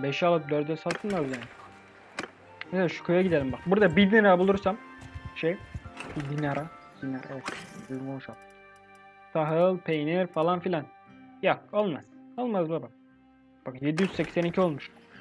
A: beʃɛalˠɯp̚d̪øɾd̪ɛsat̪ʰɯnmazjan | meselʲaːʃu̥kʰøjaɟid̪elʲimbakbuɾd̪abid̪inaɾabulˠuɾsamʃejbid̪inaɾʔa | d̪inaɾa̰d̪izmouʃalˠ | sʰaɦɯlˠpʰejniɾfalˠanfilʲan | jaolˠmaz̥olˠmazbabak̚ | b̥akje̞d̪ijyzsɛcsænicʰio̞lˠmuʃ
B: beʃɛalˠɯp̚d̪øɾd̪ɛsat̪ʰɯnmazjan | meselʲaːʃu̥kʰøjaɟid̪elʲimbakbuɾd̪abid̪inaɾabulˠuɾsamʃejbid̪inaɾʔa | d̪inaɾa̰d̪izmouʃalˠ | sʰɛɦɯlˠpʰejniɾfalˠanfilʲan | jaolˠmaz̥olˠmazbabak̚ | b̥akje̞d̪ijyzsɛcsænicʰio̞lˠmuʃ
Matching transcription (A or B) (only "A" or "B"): A